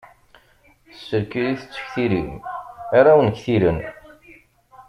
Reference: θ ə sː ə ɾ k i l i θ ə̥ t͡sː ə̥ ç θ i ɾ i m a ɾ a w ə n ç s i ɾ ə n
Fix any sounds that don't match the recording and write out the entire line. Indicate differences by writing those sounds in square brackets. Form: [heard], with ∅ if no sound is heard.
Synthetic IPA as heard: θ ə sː ə ɾ k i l i θ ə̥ t͡sː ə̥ ç θ i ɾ i m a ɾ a w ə n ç [θ] i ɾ ə n

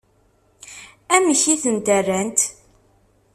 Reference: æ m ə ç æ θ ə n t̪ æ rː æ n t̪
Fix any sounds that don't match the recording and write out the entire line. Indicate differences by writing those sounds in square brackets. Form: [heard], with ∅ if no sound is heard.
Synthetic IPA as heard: æ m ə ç [i] θ ə n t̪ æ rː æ n t̪

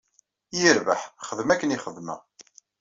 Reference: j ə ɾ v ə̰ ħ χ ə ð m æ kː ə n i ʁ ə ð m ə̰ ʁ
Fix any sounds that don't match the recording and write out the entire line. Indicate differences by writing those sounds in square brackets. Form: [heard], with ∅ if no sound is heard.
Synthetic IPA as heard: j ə ɾ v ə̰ ħ χ ə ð m æ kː ə n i [χ] ə ð m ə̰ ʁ

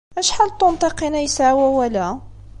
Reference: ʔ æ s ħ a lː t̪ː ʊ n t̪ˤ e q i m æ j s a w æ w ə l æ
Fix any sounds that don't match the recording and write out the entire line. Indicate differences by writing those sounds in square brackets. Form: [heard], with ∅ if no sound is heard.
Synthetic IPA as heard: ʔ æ [ʃ] ħ a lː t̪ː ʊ n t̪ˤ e q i [n] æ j s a w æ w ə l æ

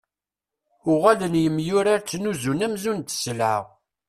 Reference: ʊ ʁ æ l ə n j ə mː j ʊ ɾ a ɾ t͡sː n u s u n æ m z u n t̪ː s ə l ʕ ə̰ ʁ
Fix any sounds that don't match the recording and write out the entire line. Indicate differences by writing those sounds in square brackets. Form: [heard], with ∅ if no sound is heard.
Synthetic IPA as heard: ʊ ʁ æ l ə n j ə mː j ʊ ɾ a ɾ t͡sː n u [z] u n æ m z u n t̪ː s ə l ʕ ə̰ ʁ

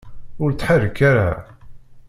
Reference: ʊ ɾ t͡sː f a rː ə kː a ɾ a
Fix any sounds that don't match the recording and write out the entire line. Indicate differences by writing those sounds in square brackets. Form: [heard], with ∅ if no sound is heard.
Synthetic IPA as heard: ʊ ɾ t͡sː [ħ] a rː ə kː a ɾ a

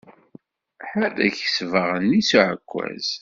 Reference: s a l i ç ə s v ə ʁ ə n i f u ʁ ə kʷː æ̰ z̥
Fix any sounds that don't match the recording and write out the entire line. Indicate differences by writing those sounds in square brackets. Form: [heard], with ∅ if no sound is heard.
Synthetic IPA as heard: [ħ] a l [æ] ç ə s v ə ʁ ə n i [s] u [ʕ] ə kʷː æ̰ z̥

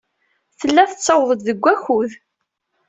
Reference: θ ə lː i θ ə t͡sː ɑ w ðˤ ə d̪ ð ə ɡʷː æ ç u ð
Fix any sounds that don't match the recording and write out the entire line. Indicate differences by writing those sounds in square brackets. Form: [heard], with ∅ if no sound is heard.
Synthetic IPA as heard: θ ə lː [æ] θ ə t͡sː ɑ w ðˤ ə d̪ ð ə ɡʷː æ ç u ð

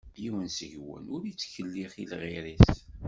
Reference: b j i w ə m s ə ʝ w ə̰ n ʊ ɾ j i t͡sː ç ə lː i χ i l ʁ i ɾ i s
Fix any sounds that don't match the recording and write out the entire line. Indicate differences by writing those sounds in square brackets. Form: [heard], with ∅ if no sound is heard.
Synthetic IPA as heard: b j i w ə [n] s ə ʝ w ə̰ n ʊ ɾ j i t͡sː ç ə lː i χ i l ʁ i ɾ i s

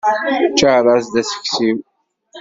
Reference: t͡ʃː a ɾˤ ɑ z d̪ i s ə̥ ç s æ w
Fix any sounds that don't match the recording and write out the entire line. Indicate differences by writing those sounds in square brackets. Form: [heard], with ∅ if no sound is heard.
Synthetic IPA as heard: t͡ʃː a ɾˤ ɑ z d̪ [æ] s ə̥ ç s [i] w

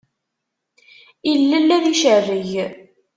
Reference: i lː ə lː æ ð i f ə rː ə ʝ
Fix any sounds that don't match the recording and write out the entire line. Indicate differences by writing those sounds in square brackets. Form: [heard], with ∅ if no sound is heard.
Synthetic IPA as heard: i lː ə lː æ ð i [ʃ] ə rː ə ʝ

